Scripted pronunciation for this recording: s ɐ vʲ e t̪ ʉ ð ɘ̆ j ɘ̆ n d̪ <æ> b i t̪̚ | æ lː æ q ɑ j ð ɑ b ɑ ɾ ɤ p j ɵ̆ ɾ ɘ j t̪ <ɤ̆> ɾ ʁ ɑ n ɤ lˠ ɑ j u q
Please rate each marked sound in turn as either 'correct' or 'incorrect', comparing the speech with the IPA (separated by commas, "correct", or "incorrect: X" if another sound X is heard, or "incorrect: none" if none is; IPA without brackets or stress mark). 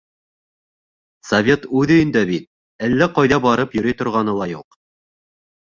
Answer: correct, incorrect: ŏ